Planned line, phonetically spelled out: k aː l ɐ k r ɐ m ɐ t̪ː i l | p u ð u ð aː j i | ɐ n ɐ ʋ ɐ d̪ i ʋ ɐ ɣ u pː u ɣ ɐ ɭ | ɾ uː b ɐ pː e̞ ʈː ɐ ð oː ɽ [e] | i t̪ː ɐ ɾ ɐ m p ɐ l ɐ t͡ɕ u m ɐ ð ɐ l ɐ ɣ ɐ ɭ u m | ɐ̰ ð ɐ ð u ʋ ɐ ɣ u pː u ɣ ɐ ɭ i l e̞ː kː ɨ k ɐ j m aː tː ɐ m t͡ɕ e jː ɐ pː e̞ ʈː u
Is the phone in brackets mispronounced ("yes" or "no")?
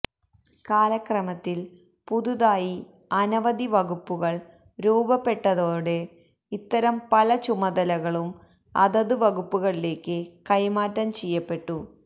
no